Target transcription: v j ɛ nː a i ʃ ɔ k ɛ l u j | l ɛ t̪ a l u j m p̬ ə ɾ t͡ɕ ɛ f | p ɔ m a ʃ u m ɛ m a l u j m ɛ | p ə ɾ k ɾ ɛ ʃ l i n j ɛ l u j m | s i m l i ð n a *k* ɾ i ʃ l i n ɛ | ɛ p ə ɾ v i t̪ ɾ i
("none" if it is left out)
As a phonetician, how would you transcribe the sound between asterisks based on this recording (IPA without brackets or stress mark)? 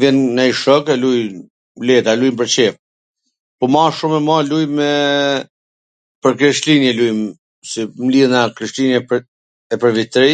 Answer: k